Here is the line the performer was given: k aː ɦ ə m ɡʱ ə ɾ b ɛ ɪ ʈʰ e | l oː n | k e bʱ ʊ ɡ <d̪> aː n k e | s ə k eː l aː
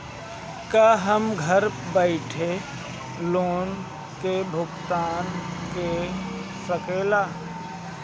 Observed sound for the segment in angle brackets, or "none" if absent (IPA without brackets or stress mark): t̪